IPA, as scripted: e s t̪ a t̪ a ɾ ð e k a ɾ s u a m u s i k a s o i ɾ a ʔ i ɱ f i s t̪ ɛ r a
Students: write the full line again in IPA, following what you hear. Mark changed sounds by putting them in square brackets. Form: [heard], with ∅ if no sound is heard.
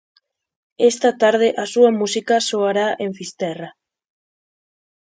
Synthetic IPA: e s t̪ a t̪ a ɾ ð e [ʔ] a [∅] s u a m u s i k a s o [a] ɾ a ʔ [e] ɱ f i s t̪ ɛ r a